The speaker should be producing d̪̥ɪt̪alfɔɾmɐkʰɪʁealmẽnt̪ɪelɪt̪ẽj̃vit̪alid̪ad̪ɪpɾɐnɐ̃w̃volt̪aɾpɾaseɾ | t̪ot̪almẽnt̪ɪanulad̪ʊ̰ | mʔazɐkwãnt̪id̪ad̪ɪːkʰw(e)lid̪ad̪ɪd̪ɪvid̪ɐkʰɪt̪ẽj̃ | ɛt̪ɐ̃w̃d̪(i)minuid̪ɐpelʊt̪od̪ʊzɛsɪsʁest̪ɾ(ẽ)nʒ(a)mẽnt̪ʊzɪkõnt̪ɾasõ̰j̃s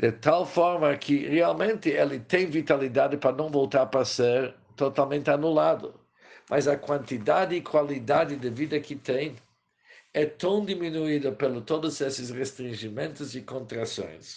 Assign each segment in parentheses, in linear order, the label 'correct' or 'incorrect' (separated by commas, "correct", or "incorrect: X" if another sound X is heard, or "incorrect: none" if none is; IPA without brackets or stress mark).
incorrect: a, correct, incorrect: ĩ, incorrect: i